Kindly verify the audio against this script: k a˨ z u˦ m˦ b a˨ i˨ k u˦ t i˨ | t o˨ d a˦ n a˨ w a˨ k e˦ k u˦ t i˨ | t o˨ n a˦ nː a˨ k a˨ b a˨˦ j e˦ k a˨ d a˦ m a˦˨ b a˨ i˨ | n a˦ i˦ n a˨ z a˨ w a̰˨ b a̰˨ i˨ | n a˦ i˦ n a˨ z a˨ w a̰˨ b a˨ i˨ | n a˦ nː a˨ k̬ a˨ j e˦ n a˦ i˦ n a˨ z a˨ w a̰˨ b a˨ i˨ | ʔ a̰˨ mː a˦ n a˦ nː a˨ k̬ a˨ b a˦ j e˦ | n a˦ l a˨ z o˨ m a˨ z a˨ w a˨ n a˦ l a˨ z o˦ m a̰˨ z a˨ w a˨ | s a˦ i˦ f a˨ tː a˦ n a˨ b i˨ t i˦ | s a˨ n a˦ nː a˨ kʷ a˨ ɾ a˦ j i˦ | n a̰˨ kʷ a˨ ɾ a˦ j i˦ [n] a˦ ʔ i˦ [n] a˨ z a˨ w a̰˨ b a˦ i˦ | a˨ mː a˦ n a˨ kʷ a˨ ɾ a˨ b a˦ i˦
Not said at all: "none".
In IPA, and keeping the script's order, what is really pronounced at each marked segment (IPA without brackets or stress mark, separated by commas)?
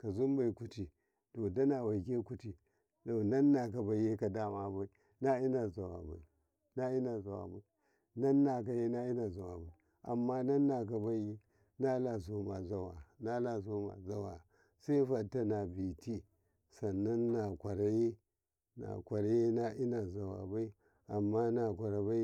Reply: n, n